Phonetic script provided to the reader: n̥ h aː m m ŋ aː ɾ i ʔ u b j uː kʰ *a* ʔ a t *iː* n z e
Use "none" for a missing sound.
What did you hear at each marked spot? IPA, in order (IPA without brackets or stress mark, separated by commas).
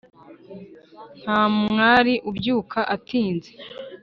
a, iː